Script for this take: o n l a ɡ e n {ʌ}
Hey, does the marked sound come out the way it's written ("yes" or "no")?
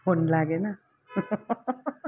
no